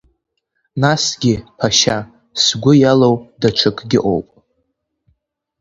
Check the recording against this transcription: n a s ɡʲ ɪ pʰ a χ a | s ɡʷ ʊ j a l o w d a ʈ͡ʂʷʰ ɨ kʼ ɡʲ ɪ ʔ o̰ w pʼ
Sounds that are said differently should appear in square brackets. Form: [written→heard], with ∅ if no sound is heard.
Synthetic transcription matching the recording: n a s ɡʲ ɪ pʰ a [χ→ʃ] a | s ɡʷ ʊ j a l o w d a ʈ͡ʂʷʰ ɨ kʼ ɡʲ ɪ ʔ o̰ w pʼ

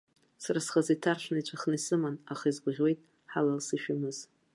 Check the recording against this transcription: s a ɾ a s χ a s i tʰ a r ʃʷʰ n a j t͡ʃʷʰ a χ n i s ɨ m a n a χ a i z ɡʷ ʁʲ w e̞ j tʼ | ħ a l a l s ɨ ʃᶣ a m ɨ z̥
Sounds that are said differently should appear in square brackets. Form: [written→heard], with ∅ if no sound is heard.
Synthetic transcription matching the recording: s a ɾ a s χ a [s→z] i tʰ a r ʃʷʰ n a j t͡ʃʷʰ a χ n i s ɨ m a n a χ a i z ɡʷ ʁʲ w e̞ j tʼ | ħ a l a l s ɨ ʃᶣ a m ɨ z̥

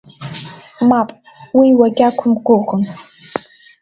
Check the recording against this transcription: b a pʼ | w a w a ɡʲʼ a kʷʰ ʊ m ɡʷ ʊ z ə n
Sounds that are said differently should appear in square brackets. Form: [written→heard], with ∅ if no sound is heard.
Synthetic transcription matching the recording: [b→m] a pʼ | w [a→i] w a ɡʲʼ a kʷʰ ʊ m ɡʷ ʊ [z→ʁ] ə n

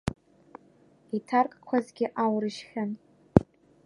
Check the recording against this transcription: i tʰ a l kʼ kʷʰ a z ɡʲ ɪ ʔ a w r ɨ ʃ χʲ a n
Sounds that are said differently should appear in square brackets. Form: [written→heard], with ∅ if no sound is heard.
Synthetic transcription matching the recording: i tʰ a [l→r] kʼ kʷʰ a z ɡʲ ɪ ʔ a w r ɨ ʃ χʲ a n

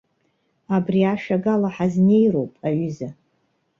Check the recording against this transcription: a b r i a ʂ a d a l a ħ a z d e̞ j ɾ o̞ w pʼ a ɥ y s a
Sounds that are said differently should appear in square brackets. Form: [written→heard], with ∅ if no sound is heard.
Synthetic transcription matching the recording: a b r i a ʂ a [d→ɡ] a l a ħ a z [d→n] e̞ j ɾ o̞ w pʼ a ɥ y [s→z] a

